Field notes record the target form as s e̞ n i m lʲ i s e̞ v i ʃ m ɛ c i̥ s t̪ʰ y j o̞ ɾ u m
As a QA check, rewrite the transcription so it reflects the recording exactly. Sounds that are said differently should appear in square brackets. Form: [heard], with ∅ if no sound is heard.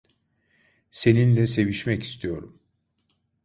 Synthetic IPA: s e̞ n i [n] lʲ [ɛ] s e̞ v i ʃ m ɛ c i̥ s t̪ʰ [i] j o̞ ɾ u m